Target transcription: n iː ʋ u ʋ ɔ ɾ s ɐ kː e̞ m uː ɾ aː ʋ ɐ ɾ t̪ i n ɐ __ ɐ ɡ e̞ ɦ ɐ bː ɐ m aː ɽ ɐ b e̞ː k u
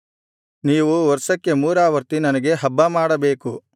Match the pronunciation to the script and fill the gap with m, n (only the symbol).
n